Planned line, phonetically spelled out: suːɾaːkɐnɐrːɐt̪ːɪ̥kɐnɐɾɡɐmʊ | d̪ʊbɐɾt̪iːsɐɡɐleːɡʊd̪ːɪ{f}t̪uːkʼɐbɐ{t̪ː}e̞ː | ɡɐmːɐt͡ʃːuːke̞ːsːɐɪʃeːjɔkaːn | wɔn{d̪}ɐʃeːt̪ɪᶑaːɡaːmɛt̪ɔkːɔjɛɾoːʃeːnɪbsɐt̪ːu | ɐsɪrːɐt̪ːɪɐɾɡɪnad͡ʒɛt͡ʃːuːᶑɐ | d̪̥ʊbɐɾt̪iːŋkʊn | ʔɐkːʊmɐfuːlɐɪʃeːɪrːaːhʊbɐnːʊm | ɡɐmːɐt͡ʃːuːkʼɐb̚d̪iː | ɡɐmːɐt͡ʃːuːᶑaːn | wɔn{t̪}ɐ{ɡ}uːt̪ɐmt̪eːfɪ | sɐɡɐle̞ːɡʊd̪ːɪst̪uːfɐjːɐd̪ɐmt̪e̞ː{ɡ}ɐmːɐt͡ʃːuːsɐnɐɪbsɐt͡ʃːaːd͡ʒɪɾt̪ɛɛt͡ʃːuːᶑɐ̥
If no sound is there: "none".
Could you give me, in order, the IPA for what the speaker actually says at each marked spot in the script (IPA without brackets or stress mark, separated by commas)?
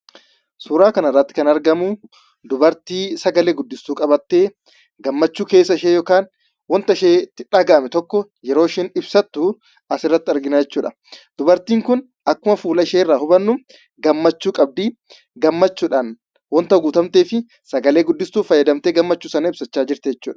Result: s, t̪ː, t̪, t̪, ɡ, ɡ